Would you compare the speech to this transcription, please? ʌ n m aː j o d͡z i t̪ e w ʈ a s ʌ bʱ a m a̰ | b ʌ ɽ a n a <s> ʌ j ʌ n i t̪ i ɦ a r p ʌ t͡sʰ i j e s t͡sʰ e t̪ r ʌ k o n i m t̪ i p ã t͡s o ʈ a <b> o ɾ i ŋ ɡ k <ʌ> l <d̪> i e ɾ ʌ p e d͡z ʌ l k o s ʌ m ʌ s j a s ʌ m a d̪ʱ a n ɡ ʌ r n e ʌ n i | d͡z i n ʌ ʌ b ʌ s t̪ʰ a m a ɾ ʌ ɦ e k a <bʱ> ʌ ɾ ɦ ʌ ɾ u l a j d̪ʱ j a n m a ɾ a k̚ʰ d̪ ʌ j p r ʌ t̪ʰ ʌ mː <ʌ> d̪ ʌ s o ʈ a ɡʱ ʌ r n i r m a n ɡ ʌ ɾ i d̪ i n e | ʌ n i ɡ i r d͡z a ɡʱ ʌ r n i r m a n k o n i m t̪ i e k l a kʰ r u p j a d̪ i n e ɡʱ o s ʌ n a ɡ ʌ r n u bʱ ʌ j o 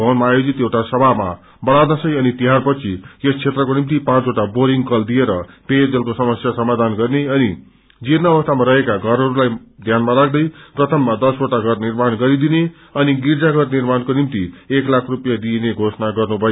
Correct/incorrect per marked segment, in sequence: correct, correct, correct, correct, incorrect: ɡʱ, incorrect: a

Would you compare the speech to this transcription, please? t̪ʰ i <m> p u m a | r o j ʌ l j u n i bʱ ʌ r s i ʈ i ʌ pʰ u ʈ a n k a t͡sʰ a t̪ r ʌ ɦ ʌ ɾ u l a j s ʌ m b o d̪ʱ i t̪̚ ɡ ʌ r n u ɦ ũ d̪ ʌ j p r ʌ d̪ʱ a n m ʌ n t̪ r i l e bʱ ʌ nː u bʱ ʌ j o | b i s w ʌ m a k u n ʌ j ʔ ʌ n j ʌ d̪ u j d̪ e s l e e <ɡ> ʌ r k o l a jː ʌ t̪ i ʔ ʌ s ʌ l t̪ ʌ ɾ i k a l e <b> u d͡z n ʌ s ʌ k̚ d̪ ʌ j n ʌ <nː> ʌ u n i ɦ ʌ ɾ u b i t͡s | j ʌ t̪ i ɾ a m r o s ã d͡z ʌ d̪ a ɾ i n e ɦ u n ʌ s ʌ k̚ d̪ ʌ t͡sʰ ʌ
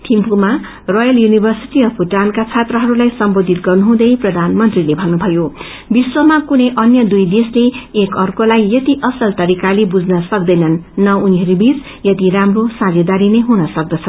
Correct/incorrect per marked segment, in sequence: correct, incorrect: k, correct, correct

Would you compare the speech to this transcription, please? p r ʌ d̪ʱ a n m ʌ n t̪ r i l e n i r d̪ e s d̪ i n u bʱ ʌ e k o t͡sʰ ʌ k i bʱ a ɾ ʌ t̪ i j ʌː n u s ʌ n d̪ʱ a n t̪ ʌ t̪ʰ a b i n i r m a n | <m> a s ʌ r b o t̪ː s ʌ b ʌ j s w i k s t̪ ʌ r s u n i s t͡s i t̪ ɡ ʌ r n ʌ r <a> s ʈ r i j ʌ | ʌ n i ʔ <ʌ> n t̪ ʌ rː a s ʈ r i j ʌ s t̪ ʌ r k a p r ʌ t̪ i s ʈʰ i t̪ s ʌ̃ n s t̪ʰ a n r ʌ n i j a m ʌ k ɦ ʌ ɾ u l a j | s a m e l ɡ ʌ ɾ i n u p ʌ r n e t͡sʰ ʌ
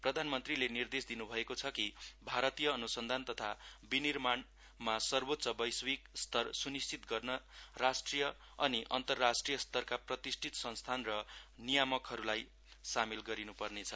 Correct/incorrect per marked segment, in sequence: correct, correct, correct

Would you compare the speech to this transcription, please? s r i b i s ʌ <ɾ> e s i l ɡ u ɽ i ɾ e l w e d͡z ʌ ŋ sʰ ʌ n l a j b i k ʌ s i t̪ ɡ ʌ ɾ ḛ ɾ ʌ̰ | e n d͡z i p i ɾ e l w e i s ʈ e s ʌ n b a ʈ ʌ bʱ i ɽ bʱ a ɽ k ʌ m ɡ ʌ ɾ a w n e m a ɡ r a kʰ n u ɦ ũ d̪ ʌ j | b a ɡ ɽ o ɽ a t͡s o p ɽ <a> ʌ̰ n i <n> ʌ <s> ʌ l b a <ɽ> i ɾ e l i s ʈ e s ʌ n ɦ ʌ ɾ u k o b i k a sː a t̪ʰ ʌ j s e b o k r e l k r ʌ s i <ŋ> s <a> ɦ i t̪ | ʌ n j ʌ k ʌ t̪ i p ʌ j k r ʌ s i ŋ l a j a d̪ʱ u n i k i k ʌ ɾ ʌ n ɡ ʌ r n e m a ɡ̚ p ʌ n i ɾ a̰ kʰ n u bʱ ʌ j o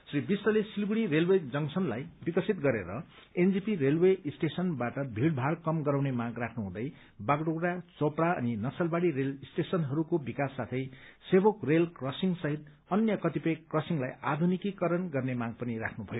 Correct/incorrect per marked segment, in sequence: incorrect: l, correct, correct, correct, correct, correct, incorrect: ʌ

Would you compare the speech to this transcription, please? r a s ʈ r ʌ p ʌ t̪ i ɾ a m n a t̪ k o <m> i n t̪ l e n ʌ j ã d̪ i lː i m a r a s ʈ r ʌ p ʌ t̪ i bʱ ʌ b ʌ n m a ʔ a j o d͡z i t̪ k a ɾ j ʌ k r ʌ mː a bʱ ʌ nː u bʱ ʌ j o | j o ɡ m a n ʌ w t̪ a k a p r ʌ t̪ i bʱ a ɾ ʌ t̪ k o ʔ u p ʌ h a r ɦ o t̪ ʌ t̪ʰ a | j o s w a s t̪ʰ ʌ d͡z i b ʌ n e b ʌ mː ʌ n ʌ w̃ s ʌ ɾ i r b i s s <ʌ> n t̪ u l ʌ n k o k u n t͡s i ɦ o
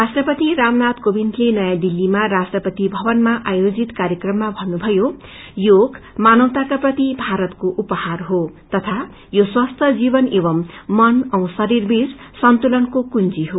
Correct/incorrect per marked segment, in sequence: incorrect: b, correct

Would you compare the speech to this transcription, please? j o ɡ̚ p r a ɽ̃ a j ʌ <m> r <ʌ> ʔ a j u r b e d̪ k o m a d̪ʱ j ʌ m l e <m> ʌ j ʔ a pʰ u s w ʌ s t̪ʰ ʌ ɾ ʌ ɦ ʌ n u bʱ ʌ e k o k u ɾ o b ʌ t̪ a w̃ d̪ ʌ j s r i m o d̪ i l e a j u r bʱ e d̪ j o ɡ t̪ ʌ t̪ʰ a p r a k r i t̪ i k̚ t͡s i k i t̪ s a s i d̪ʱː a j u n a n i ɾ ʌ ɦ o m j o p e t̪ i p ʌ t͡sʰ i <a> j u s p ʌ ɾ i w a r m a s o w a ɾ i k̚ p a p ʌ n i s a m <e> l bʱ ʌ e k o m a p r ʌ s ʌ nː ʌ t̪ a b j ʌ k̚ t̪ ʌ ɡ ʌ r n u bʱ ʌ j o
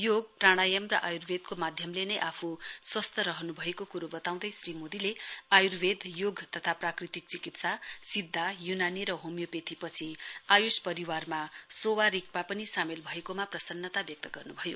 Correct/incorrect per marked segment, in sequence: correct, correct, incorrect: n, correct, correct

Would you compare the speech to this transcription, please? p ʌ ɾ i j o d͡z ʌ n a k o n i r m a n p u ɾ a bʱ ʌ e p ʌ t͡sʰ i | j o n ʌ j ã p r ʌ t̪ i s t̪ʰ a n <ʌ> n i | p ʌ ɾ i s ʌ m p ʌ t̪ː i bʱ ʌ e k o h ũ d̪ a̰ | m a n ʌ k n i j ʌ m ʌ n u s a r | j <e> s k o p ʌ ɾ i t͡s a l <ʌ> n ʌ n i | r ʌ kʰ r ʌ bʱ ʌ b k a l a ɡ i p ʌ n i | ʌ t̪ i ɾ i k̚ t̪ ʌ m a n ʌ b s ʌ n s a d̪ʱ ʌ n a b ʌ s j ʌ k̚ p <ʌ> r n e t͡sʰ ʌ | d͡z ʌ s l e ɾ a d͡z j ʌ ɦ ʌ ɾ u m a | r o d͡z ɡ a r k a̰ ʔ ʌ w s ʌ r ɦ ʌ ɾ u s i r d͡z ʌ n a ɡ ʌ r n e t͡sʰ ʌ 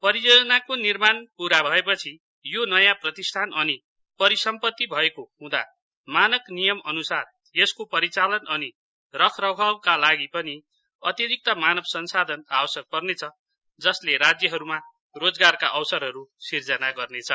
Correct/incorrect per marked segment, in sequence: correct, correct, correct, correct

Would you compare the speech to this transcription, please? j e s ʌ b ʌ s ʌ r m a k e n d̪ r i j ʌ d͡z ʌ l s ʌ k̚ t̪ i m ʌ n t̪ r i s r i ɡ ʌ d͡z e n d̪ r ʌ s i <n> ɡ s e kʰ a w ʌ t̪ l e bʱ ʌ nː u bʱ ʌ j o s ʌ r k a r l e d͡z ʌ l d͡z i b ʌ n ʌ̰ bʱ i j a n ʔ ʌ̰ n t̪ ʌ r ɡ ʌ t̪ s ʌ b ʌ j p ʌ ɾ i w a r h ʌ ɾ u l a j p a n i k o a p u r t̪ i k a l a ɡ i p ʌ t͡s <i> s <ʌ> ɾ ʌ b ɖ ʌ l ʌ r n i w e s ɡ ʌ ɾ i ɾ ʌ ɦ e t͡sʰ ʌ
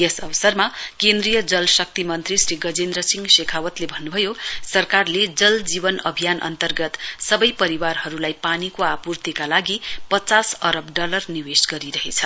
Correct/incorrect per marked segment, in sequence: incorrect: ŋ, incorrect: a, correct

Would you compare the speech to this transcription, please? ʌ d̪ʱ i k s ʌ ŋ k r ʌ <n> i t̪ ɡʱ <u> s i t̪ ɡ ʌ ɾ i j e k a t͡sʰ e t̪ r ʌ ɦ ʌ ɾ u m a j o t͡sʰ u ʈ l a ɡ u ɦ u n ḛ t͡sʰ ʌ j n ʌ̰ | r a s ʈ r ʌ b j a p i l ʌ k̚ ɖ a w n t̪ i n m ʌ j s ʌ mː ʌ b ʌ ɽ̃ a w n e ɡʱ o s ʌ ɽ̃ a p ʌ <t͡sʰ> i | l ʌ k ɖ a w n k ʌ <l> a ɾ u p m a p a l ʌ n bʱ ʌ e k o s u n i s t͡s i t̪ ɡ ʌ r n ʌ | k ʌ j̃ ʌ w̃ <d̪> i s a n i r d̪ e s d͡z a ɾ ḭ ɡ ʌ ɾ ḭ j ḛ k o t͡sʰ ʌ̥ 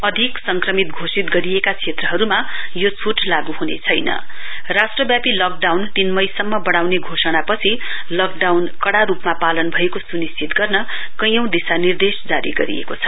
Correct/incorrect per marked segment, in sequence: incorrect: m, incorrect: o, correct, incorrect: ɽ, correct

